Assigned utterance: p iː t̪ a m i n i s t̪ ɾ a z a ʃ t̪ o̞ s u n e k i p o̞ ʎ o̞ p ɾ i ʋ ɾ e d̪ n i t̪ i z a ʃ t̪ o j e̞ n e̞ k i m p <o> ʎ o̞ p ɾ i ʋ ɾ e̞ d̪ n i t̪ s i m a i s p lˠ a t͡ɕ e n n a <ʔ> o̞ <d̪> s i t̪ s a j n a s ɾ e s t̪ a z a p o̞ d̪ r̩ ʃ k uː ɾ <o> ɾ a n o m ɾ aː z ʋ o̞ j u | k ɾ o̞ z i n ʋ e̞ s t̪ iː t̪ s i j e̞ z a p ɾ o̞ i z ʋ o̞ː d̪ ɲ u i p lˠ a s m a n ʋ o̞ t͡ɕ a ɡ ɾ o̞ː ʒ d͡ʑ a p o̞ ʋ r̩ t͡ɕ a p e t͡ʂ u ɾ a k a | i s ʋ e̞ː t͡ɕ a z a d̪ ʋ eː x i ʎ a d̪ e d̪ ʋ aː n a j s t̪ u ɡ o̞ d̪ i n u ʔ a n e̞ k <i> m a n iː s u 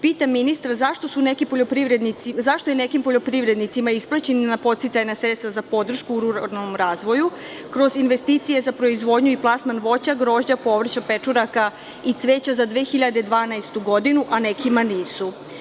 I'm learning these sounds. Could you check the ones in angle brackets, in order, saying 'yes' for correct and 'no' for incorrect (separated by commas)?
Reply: yes, no, no, no, yes